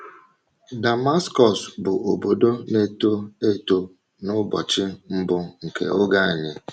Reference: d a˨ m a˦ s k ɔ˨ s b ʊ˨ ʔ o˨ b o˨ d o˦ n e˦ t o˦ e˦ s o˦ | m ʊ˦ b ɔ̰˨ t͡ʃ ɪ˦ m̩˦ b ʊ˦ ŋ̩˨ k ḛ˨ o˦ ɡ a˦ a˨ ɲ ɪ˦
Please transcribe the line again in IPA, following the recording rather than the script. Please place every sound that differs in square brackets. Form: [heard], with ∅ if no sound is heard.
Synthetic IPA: d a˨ m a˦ s k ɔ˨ s b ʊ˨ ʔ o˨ b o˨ d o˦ n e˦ t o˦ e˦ [t] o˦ | [n] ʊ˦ b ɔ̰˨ t͡ʃ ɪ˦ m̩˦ b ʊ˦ ŋ̩˨ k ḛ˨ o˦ ɡ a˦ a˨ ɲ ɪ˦